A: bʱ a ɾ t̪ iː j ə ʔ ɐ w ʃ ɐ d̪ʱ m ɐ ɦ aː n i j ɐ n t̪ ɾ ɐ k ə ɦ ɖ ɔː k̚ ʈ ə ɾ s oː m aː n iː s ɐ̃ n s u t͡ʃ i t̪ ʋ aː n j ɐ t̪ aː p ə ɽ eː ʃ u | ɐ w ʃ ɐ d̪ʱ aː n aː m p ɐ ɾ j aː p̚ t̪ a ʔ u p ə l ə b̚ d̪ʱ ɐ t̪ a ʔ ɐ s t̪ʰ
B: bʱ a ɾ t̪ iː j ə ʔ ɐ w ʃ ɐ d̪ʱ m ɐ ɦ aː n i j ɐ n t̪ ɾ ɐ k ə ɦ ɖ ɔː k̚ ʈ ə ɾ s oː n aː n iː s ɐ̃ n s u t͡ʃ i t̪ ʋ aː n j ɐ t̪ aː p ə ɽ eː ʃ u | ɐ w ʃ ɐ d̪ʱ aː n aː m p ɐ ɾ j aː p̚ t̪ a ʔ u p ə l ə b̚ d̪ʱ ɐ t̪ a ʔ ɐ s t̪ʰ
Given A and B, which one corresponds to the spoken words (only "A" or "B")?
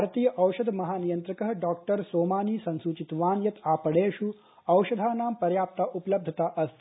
A